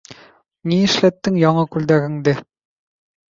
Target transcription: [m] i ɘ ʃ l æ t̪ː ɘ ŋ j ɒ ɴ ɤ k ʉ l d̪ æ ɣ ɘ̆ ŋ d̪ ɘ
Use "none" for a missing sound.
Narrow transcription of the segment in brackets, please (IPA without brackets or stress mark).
n